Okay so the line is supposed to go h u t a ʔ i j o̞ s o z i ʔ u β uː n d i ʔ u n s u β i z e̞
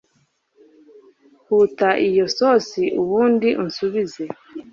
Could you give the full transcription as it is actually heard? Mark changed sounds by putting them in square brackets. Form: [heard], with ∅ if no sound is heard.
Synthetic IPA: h u t a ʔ i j o̞ s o [s] i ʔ u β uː n d i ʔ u n s u β i z e̞

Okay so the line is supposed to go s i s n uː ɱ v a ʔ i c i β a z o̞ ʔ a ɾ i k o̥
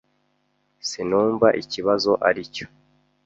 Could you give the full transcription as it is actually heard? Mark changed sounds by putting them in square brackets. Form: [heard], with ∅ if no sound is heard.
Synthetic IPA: s i [∅] n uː ɱ v a ʔ i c i β a z o̞ ʔ a ɾ i [c] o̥

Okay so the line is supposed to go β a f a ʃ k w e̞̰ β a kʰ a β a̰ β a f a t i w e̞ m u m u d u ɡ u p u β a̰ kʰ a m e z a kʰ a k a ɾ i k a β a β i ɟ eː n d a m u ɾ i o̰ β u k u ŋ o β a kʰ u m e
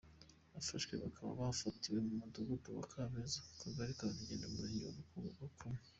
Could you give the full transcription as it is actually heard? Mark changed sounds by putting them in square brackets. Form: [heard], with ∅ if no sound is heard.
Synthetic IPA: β a f a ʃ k w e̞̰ β a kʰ a β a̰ β a f a t i w e̞ m u m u d u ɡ u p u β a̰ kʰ a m e z a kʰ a [ɡ] a ɾ i k a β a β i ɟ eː n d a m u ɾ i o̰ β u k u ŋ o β a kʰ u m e

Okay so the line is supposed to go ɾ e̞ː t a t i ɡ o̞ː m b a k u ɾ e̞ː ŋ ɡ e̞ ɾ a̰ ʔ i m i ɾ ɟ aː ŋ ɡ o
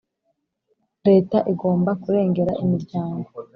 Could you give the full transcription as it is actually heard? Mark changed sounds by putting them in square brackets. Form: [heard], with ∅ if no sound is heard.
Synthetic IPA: ɾ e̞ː t a [ʔ] i ɡ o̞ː m b a k u ɾ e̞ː ŋ ɡ e̞ ɾ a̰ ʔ i m i ɾ ɟ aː ŋ ɡ o

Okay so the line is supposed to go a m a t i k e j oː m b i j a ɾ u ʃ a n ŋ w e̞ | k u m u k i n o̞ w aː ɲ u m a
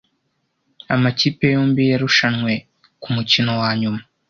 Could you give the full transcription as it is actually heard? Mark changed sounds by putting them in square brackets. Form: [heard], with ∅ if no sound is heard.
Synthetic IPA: a m a [c] i [p] e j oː m b i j a ɾ u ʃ a n ŋ w e̞ | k u m u [c] i n o̞ w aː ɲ u m a

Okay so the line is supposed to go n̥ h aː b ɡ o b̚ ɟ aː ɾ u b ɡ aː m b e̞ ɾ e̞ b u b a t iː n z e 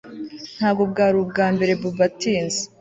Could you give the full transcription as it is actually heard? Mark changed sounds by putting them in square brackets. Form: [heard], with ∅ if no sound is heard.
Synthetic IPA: n̥ h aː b ɡ o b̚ [ɡ] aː ɾ u b ɡ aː m b e̞ ɾ e̞ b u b a t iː n z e

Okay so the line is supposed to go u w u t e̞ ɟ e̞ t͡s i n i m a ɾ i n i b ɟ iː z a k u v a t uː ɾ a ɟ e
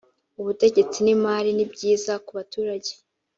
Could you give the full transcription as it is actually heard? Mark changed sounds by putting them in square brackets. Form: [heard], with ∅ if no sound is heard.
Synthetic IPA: u [β] u t e̞ ɟ e̞ t͡s i n i m a ɾ i n i b ɟ iː z a k u [β] a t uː ɾ a ɟ e

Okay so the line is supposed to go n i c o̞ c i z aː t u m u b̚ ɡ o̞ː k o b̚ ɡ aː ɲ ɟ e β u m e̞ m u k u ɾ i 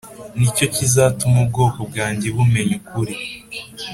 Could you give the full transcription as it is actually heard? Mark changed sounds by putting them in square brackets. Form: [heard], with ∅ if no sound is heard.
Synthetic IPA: n i c o̞ c i z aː t u m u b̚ ɡ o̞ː k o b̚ ɡ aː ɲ ɟ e β u m e̞ [ɲ] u k u ɾ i

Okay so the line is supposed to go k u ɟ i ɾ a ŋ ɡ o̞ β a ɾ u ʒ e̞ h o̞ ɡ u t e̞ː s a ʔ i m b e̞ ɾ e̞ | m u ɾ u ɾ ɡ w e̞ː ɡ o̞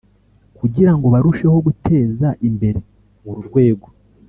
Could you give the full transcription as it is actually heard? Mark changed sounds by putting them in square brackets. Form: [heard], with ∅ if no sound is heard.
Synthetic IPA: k u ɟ i ɾ a ŋ ɡ o̞ β a ɾ u [ʃ] e̞ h o̞ ɡ u t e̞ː [z] a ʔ i m b e̞ ɾ e̞ | m u ɾ u ɾ ɡ w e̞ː ɡ o̞

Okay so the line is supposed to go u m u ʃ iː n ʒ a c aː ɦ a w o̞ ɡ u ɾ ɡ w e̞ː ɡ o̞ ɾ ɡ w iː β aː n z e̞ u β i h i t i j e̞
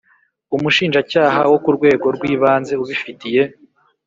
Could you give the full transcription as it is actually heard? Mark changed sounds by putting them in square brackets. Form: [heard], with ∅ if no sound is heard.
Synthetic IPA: u m u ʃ iː n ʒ a c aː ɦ a w o̞ [k] u ɾ ɡ w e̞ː ɡ o̞ ɾ ɡ w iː β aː n z e̞ u β i [f] i t i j e̞

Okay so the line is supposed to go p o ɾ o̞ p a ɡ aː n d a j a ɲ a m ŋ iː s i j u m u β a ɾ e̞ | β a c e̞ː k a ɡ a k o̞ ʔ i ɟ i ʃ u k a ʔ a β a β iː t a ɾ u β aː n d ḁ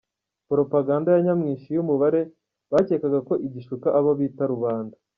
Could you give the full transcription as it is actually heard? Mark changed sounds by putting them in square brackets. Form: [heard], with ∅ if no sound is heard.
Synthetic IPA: p o ɾ o̞ p a ɡ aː n d a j a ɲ a m ŋ iː [ʃ] i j u m u β a ɾ e̞ | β a c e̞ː k a ɡ a k o̞ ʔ i ɟ i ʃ u k a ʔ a β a β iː t a ɾ u β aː n d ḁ

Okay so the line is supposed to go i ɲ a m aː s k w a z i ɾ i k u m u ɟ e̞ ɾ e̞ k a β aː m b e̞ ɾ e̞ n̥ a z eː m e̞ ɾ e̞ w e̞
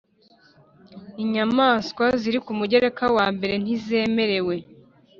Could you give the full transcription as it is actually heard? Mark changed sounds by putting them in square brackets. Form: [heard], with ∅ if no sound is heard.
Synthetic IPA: i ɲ a m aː s k w a z i ɾ i k u m u ɟ e̞ ɾ e̞ k a [w] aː m b e̞ ɾ e̞ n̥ [i] z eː m e̞ ɾ e̞ w e̞

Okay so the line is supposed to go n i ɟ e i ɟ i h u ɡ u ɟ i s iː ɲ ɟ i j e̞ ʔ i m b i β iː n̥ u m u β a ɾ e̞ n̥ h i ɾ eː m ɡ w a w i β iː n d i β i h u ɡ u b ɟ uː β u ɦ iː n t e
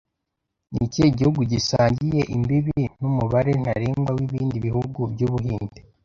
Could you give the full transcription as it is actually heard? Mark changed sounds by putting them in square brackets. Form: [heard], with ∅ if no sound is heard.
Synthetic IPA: n i [c] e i ɟ i h u ɡ u ɟ i s [aː] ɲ ɟ i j e̞ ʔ i m b i β [i] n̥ u m u β a ɾ e̞ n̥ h [a] ɾ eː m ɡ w a w i β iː n d i β i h u ɡ u b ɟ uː β u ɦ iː n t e

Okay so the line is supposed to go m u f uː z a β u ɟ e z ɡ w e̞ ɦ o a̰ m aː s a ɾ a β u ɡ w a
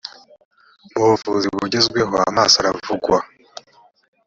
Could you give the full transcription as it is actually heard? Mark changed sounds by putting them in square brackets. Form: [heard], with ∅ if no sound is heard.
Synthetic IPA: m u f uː z [i] β u ɟ e z ɡ w e̞ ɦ o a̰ m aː s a ɾ a [v] u ɡ w a

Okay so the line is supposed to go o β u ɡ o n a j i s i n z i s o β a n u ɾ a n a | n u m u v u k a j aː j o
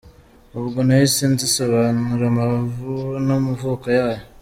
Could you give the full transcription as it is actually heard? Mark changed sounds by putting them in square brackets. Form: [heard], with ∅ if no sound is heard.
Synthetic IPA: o β u ɡ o n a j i s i n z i s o β a n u ɾ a [m] a | n [o] m u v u k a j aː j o

